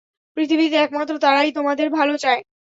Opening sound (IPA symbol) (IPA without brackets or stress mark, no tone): p